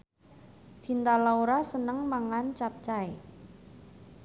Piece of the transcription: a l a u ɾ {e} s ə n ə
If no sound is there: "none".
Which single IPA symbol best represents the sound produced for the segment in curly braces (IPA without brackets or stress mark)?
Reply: a